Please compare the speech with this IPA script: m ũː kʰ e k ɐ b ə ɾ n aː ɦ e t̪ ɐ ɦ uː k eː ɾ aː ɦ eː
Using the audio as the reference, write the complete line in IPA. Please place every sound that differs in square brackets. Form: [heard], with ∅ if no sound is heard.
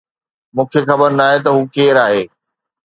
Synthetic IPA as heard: m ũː kʰ e [x] ɐ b ə ɾ n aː ɦ e t̪ ɐ ɦ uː k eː ɾ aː ɦ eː